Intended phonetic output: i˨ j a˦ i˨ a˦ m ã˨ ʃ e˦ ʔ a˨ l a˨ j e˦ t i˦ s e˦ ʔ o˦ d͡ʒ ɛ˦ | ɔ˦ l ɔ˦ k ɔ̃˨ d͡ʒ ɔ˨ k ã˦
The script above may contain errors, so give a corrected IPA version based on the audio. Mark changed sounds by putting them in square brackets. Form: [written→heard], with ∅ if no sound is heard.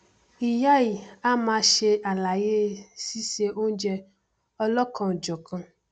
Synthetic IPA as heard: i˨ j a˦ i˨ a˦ m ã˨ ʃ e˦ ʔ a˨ l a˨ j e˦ [t→s] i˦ s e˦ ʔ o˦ d͡ʒ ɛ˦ | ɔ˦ l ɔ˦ k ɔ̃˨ d͡ʒ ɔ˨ k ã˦